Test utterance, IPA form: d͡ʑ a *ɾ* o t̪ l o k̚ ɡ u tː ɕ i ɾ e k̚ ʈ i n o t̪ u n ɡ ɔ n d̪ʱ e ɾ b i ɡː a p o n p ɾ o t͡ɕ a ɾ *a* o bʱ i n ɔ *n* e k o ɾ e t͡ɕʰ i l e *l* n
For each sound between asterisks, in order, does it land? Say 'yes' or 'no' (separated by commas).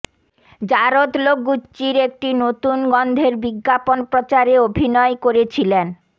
yes, no, no, no